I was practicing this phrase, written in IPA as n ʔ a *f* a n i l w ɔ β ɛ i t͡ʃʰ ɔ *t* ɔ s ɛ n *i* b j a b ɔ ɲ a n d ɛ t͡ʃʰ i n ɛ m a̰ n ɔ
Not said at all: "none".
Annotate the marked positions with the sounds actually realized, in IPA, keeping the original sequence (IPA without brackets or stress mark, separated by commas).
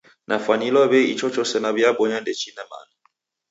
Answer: f, t͡ʃ, a